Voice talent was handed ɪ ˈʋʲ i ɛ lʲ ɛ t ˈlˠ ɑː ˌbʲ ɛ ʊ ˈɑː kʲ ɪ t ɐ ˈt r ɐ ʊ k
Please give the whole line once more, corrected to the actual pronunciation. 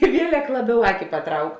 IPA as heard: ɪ ˈʋʲ i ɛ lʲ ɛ k ˈlˠ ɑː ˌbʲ ɛ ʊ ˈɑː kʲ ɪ p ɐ ˈt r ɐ ʊ k